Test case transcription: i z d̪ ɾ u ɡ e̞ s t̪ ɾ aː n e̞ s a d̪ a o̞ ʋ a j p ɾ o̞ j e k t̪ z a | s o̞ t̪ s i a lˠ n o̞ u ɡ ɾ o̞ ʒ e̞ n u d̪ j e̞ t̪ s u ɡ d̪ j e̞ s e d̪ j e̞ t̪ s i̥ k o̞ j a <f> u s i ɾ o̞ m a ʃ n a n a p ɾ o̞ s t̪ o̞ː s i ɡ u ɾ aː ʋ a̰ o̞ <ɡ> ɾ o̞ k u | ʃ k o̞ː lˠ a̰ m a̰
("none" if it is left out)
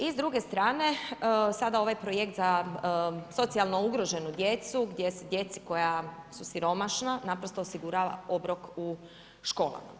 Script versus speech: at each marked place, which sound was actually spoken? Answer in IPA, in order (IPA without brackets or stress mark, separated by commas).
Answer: s, b